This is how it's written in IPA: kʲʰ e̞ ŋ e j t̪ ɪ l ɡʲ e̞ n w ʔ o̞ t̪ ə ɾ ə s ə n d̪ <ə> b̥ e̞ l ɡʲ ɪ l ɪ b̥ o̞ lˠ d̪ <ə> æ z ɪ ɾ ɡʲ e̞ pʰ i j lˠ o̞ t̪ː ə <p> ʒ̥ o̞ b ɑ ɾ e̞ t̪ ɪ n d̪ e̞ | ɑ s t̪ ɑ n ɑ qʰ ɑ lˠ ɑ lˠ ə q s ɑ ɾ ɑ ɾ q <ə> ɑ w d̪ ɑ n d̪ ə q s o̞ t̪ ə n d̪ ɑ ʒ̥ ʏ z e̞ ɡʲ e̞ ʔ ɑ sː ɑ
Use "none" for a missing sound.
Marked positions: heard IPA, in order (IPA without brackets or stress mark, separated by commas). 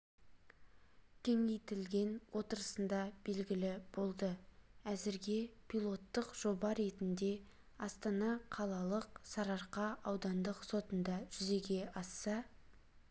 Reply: ɑ, ə, q, ɑ